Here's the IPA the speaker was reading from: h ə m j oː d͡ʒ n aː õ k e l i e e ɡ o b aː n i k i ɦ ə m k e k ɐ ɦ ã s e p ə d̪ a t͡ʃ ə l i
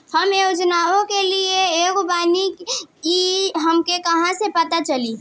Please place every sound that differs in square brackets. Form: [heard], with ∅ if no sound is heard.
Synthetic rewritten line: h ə m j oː d͡ʒ n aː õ k e l i e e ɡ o b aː n i k i ɦ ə m k e k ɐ ɦ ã s e p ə [t̪] a t͡ʃ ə l i